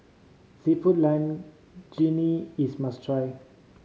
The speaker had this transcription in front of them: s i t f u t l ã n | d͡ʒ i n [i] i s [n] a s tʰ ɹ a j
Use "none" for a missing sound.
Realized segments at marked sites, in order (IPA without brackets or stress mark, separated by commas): i, m